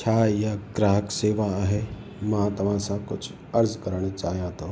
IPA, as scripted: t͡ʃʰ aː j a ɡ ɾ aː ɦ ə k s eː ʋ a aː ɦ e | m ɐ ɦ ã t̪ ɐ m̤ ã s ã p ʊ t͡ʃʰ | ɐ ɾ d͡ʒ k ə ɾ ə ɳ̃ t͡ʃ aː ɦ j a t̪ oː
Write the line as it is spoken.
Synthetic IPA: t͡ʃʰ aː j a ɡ ɾ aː ɦ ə k s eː ʋ a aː ɦ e | m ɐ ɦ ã t̪ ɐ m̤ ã s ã k ʊ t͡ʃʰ | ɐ ɾ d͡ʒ k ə ɾ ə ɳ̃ t͡ʃ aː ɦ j a t̪ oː